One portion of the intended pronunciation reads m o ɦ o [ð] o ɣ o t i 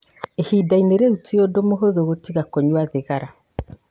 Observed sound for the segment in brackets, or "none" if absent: ð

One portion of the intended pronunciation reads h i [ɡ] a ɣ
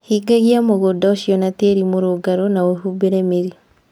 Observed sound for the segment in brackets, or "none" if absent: ɡ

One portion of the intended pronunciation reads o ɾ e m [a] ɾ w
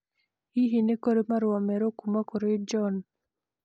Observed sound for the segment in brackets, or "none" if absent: a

